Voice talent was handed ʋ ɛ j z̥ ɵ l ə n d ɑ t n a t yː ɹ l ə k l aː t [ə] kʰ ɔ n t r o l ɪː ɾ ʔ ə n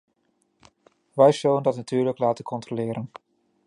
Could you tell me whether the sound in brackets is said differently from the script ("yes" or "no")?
no